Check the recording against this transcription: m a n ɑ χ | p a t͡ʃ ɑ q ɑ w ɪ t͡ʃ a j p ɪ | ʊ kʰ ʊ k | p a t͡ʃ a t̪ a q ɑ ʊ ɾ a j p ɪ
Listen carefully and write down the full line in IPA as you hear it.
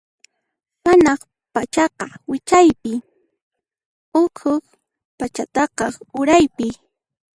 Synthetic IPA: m a n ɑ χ | p a t͡ʃ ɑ q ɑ w ɪ t͡ʃ a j p ɪ | ʊ kʰ ʊ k | p a t͡ʃ a t̪ ɑ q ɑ ʊ ɾ a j p ɪ